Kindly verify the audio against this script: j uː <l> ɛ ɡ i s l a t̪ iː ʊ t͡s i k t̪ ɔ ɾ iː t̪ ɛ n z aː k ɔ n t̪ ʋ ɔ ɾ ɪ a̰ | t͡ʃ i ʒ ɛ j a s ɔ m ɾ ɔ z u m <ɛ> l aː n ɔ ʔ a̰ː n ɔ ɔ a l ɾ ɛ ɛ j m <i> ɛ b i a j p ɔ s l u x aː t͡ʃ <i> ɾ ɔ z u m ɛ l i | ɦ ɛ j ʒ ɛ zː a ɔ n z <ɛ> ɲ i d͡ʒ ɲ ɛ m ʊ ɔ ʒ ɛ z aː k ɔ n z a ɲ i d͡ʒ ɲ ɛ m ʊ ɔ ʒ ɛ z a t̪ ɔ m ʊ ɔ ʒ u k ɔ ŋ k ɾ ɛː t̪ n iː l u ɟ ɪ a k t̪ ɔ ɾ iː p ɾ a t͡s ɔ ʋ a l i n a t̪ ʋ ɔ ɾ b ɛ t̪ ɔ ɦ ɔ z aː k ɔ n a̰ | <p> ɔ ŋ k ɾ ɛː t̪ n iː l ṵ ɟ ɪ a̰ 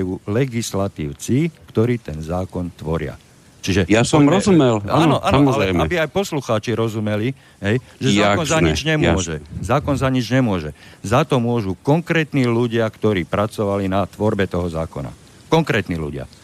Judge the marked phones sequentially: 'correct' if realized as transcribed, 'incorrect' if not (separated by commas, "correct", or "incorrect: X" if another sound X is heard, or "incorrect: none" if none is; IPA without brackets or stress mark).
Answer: correct, correct, incorrect: a, correct, incorrect: a, incorrect: k